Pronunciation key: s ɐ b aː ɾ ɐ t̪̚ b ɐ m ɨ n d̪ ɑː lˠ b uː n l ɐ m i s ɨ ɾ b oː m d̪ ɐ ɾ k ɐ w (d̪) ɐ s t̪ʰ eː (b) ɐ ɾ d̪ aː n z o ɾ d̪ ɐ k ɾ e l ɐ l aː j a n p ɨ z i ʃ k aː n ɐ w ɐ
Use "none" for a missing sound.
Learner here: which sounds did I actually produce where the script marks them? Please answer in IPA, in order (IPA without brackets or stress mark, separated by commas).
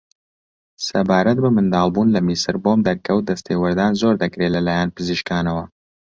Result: d̪, w